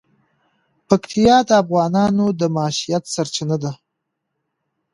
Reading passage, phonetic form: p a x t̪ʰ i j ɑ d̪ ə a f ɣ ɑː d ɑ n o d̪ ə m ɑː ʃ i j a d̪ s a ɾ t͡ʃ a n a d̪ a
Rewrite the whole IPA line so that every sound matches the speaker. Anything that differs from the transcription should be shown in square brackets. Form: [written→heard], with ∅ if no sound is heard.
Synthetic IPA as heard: p a [x→k] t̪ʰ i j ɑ d̪ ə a f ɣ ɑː [d→n] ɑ n o d̪ ə m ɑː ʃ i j a [d̪→t̪] s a ɾ t͡ʃ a n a d̪ a